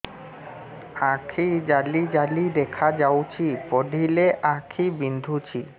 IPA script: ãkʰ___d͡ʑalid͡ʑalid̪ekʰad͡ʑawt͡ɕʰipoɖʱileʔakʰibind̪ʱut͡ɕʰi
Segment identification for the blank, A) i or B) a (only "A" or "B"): A